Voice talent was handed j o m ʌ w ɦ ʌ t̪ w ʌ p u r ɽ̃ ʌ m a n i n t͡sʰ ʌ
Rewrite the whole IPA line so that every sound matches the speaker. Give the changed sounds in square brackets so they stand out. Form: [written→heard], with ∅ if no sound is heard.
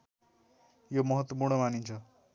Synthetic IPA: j o m ʌ [w→∅] ɦ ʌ t̪ w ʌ p u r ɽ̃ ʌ m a n i n t͡sʰ ʌ